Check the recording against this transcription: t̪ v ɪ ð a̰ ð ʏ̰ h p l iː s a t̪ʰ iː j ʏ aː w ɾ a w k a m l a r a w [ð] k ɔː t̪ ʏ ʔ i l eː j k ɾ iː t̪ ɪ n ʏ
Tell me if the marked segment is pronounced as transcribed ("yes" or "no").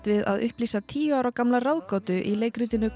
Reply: yes